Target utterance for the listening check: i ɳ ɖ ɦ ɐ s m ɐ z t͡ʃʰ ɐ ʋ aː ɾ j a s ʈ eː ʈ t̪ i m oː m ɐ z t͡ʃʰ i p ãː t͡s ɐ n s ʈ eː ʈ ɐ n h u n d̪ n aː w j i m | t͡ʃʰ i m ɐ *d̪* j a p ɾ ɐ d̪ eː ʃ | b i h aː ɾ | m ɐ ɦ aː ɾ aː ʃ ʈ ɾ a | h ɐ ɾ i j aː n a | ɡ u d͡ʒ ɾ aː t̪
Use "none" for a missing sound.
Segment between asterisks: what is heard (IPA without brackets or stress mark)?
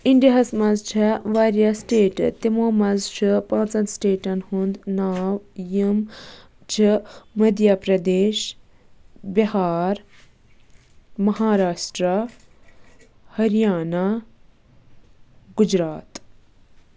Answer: d̪